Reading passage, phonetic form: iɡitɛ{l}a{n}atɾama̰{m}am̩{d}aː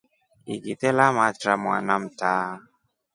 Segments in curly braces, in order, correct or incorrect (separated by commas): correct, incorrect, incorrect, incorrect